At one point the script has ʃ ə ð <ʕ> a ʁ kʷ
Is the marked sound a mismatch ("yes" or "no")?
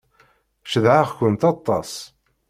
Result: no